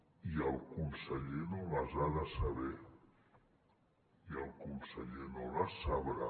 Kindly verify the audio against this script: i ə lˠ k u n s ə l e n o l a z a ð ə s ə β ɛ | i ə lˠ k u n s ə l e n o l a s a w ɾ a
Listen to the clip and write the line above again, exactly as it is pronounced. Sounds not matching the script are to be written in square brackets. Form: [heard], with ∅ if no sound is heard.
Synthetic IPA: i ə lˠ k u n s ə [ʎ] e n o l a z a ð ə s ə β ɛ | i ə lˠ k u n s ə [ʎ] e n o l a s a [β] ɾ a